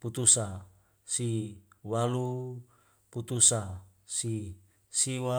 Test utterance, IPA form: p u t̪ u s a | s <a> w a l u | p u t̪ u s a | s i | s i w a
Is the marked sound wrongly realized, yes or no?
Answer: yes